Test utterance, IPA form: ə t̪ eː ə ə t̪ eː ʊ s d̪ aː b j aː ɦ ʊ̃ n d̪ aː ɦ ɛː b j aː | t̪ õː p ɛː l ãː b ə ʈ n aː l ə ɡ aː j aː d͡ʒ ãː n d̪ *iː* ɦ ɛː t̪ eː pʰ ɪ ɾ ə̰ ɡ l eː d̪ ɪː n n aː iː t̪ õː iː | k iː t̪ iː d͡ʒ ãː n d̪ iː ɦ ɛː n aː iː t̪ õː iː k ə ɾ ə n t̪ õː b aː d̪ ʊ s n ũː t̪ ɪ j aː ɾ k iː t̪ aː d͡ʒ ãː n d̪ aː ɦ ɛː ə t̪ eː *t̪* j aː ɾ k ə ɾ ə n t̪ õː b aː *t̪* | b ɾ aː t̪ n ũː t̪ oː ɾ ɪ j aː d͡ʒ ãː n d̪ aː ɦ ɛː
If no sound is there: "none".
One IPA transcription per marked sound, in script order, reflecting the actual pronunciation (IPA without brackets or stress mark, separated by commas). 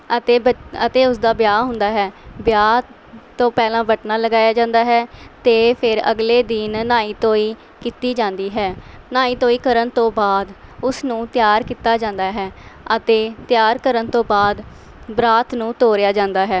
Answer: aː, t̪, d̪